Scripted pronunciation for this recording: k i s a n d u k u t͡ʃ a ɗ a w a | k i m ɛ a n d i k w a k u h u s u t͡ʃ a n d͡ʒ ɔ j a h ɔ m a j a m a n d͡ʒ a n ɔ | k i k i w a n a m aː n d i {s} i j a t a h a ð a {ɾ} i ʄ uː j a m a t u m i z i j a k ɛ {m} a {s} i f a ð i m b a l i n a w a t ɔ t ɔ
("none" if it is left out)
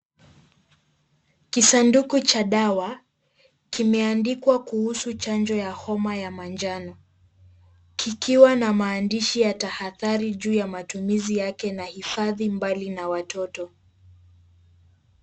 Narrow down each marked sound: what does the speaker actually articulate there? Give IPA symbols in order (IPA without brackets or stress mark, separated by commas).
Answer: ʃ, ɾ, n, h